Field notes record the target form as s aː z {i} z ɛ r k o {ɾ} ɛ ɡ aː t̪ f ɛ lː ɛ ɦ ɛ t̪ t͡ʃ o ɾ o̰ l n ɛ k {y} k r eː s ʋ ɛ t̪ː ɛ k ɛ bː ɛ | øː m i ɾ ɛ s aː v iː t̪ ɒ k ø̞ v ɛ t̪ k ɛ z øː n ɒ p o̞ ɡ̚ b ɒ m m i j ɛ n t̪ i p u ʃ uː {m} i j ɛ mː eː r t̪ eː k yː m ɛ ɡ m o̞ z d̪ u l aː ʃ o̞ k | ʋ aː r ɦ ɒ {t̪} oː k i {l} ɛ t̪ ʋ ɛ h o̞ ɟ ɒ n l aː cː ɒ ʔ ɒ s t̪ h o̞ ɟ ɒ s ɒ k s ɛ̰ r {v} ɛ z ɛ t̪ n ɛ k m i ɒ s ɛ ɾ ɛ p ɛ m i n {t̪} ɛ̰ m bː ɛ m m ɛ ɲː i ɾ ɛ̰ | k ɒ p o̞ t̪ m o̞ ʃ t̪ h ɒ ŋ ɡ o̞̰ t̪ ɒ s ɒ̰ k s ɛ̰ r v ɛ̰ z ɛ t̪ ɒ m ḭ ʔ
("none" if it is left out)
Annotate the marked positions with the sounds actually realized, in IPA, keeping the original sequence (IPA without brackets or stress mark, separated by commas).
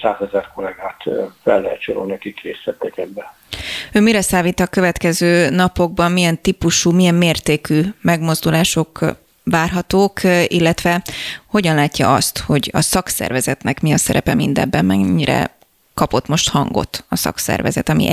ɛ, l, i, m, t̪, lː, v, d̪